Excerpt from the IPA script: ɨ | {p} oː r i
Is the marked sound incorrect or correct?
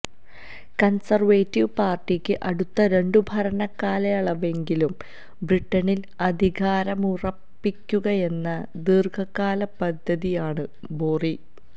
incorrect: b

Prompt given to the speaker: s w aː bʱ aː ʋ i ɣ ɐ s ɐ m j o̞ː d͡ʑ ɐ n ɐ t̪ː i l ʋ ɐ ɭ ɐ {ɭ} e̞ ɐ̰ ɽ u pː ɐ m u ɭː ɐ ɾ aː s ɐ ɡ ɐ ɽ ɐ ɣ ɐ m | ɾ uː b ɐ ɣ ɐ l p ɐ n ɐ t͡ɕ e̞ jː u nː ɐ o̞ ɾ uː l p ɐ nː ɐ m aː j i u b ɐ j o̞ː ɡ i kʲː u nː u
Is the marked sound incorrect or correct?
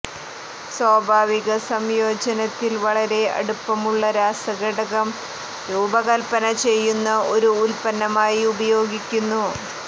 incorrect: ɾ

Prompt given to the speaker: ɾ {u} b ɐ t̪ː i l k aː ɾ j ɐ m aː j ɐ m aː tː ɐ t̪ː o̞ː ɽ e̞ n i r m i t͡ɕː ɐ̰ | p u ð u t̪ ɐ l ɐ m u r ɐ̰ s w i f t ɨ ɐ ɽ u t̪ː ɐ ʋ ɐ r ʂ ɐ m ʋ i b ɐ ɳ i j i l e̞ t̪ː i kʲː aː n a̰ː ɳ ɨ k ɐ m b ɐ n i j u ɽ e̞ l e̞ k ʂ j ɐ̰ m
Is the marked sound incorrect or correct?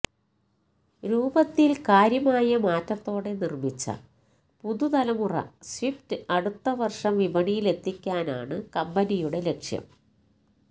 incorrect: uː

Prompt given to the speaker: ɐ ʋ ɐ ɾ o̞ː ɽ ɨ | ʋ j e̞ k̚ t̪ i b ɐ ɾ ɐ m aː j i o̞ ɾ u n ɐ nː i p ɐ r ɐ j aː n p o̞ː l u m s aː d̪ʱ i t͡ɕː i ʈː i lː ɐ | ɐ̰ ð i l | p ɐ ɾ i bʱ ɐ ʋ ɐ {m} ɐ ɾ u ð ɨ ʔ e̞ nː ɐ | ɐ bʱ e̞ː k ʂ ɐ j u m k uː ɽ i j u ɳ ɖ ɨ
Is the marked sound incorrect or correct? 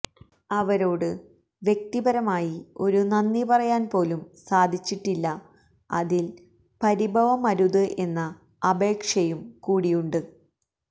correct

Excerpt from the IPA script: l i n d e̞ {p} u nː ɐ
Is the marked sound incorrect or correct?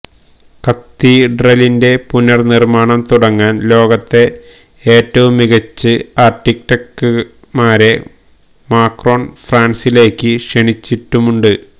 correct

